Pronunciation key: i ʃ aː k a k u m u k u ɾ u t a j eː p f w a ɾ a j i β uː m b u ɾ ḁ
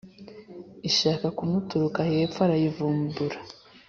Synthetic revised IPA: i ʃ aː k a k u m u t u ɾ u k a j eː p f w a ɾ a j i v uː m b u ɾ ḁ